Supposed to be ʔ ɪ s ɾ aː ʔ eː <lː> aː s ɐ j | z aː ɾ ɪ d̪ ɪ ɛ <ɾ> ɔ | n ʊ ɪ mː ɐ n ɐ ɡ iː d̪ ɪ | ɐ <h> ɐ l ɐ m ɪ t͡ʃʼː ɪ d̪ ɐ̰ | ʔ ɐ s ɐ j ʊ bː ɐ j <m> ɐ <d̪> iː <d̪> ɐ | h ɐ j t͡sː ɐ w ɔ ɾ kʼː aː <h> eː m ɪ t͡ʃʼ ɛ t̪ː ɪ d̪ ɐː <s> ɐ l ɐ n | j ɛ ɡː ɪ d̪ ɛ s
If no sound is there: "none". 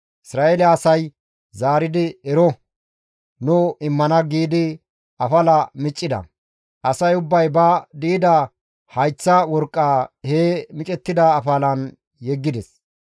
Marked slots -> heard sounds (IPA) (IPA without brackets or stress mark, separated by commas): l, ɾ, f, b, d̪, d̪, h, f